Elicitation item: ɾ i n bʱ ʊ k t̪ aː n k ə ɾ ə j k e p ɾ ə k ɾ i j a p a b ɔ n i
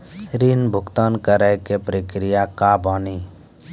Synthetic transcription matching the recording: ɾ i n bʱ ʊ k t̪ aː n k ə ɾ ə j k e p ɾ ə k ɾ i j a k a b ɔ n i